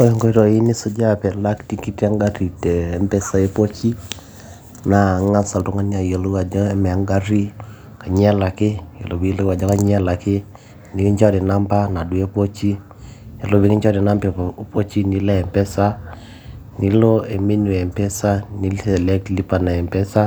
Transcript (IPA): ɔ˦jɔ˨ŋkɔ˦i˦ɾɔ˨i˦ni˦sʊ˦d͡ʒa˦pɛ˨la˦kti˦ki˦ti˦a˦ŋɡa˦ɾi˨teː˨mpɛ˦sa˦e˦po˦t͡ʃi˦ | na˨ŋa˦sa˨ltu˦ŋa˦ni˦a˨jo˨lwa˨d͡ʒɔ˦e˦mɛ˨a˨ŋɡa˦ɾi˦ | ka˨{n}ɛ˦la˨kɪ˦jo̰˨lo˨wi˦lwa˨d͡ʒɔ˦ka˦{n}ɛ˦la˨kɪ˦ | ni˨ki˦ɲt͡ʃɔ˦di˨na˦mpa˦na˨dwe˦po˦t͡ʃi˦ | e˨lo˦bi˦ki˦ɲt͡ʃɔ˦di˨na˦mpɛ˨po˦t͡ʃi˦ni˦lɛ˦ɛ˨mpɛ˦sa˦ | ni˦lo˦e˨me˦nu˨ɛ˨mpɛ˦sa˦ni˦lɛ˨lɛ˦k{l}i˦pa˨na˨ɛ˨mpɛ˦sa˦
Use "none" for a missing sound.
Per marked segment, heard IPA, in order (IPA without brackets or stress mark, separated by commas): ɲ, ɲ, l